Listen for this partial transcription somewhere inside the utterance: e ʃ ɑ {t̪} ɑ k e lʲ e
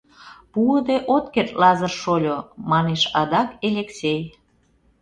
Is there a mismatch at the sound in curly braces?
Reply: yes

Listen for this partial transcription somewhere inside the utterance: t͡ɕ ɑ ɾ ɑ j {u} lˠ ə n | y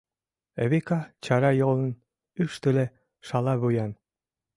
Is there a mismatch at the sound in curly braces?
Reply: yes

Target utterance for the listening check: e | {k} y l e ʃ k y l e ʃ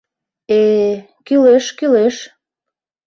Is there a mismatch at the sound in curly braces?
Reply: no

